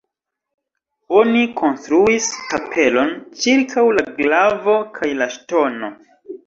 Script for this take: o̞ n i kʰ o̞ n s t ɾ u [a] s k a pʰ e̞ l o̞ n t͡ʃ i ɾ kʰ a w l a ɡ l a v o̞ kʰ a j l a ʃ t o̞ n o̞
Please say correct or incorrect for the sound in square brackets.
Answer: incorrect